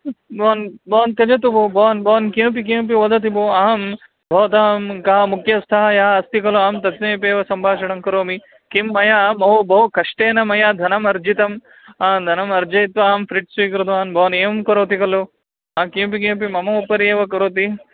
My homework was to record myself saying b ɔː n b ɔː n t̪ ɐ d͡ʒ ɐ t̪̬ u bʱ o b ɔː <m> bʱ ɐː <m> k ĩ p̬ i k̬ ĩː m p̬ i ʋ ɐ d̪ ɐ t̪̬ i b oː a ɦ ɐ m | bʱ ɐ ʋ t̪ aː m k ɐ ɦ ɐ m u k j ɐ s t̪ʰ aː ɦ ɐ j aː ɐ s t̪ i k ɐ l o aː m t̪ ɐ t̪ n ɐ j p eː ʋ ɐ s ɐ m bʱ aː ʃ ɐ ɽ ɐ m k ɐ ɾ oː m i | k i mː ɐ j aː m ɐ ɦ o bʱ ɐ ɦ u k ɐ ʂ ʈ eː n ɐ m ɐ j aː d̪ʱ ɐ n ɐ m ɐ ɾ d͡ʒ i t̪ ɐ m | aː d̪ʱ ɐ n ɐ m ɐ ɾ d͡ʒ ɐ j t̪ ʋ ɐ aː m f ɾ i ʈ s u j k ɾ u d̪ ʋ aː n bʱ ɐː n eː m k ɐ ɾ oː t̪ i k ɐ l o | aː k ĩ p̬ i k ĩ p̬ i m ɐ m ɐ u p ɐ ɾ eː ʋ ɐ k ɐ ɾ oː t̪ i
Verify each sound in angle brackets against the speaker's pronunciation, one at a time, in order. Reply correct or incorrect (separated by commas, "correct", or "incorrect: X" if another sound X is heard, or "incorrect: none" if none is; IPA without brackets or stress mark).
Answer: incorrect: n, incorrect: n